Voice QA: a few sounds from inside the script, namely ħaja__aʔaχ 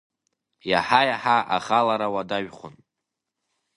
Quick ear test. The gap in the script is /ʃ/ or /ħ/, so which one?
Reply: ħ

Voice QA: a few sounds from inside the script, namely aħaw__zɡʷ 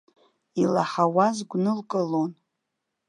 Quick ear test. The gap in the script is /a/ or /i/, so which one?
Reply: a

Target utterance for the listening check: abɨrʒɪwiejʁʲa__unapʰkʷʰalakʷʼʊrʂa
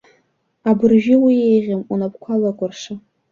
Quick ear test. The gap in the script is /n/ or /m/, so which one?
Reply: m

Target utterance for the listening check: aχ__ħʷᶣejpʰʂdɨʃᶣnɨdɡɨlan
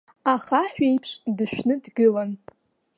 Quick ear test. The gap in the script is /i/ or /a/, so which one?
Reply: a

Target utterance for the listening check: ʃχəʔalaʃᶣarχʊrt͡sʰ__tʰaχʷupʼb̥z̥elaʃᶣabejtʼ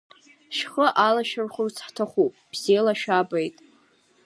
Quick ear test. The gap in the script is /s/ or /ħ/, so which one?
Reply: ħ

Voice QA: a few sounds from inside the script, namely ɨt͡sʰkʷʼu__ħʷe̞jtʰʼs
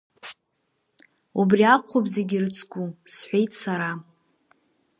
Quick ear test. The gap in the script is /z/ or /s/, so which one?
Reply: s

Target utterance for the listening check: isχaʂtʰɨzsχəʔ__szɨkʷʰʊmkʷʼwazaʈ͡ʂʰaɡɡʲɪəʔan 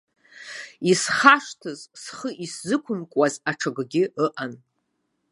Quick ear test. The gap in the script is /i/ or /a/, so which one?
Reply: i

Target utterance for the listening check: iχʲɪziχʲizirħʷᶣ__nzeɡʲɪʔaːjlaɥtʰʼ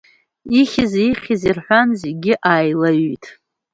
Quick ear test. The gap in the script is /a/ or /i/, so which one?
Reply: a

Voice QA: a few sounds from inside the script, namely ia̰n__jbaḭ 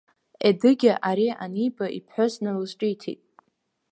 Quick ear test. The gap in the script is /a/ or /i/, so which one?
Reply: i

